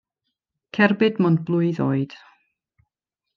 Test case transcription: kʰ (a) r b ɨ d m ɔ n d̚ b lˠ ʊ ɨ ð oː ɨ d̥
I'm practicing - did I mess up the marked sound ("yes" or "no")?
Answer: yes